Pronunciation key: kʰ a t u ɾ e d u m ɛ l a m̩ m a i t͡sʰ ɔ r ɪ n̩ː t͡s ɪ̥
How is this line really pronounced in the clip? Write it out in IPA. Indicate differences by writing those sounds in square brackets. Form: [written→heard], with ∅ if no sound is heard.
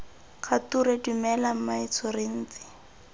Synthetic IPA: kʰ a t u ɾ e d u m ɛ l a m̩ m a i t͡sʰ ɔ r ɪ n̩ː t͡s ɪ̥